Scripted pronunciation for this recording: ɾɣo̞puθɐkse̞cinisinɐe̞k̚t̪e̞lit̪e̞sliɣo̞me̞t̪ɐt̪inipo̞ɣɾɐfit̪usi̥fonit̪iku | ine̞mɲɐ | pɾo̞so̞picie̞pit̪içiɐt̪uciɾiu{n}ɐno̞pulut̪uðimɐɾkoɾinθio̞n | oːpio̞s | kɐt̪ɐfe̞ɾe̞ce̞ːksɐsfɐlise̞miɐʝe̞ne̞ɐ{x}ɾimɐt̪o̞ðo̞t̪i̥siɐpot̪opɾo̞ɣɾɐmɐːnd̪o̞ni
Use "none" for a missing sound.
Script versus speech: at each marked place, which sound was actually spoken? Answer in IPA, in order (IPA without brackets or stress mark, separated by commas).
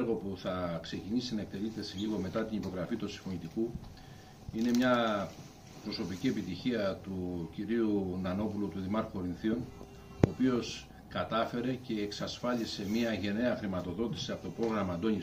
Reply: n, x